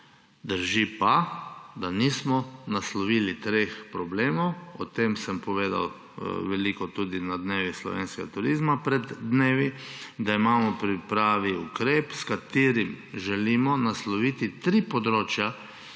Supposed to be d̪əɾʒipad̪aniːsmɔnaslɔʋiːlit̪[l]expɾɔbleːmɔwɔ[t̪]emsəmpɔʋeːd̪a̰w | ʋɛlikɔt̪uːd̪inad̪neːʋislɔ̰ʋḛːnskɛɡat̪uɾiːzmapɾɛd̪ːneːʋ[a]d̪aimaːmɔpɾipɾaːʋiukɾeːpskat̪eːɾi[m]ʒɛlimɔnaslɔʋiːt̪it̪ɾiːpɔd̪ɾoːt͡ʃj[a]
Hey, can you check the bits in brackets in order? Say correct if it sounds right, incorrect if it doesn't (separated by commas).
incorrect, correct, incorrect, correct, correct